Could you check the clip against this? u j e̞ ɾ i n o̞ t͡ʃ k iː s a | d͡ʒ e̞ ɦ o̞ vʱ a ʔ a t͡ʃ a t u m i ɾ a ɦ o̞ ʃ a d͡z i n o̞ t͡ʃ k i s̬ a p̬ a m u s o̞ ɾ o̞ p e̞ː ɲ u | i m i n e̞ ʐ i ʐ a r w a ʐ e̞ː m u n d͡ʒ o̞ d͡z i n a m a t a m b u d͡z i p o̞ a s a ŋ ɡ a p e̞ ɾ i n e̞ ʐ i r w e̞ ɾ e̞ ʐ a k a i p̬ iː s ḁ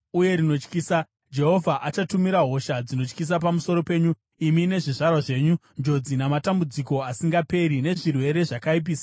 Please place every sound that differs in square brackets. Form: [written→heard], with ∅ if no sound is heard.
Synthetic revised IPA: u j e̞ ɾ i n o̞ t͡ʃ k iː s a | d͡ʒ e̞ ɦ o̞ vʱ a ʔ a t͡ʃ a t u m i ɾ a ɦ o̞ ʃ a d͡z i n o̞ t͡ʃ k i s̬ a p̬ a m u s o̞ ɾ o̞ p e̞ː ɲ u | i m i n e̞ ʐ i ʐ a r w a ʐ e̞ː [m→ɲ] u n d͡ʒ o̞ d͡z i n a m a t a m b u d͡z i [p→k] o̞ a s [a→i] ŋ ɡ a p e̞ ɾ i n e̞ ʐ i r w e̞ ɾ e̞ ʐ a k a i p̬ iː s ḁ